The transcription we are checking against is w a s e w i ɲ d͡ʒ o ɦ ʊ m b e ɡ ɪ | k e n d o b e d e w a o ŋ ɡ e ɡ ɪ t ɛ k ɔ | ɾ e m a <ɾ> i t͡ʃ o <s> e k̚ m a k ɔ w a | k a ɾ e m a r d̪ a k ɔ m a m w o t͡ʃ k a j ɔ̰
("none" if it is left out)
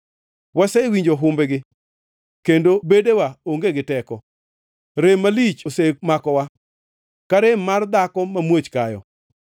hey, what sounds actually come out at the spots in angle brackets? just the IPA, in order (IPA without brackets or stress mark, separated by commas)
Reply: l, s